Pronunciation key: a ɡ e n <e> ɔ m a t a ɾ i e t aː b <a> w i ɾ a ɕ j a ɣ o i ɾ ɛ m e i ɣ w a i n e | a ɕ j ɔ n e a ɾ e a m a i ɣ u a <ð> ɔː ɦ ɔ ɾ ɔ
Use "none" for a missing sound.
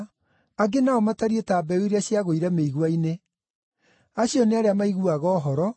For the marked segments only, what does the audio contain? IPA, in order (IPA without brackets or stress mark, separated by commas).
a, ɛ, ɣ